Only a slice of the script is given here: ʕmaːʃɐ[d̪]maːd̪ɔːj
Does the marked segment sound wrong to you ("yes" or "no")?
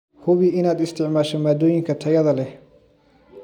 yes